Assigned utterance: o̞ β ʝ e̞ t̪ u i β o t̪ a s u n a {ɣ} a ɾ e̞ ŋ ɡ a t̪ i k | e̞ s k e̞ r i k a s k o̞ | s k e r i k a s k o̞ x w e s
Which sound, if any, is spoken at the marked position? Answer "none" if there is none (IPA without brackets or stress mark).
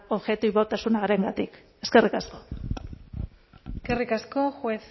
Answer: ɣ